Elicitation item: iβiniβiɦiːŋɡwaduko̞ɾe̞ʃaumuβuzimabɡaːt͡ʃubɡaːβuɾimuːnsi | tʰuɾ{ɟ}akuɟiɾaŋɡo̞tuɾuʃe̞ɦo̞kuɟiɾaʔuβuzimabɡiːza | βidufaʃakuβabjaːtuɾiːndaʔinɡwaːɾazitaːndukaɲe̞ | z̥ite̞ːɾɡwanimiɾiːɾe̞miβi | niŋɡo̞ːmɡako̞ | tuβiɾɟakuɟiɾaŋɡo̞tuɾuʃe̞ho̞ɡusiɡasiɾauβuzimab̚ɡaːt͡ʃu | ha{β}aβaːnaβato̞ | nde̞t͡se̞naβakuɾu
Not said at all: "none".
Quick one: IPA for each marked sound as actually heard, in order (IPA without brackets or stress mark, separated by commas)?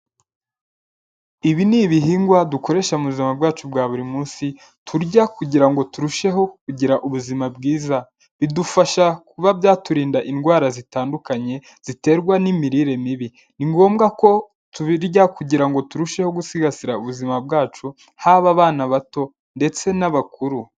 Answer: ɟ, β